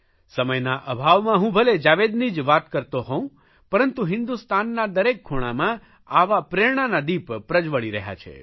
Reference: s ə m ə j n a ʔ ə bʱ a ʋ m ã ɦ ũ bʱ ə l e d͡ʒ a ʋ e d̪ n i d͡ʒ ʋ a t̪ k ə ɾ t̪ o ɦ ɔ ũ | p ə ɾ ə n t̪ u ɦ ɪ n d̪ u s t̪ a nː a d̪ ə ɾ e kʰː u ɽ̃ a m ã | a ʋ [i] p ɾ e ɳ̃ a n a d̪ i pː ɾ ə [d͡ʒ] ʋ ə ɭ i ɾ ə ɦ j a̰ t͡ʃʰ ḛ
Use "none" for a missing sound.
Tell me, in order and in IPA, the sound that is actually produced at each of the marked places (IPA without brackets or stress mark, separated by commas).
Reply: a, d͡ʒ